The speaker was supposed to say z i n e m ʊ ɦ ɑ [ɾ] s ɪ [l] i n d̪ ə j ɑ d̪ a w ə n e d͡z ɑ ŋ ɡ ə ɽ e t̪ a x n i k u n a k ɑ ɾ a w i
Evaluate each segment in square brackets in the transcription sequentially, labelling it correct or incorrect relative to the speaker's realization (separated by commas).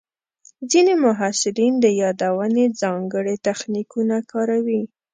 incorrect, incorrect